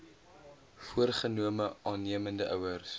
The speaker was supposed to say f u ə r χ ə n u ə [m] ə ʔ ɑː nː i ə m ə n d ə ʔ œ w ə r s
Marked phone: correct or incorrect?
correct